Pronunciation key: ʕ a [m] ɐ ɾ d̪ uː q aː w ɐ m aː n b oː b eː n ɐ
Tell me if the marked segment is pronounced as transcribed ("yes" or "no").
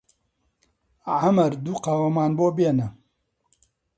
yes